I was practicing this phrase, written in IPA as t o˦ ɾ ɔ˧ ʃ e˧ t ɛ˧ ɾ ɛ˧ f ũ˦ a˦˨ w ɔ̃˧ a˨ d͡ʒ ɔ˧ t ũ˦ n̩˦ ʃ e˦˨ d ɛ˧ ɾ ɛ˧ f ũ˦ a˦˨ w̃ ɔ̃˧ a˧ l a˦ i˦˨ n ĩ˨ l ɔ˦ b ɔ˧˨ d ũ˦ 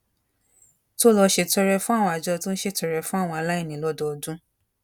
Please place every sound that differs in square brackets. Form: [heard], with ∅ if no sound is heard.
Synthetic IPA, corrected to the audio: t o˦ [l] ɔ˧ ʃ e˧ t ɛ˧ ɾ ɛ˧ f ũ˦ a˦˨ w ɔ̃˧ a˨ d͡ʒ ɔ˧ t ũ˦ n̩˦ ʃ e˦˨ [t] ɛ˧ ɾ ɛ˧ f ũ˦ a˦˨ w̃ ɔ̃˧ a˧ l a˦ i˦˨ n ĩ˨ l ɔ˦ [d] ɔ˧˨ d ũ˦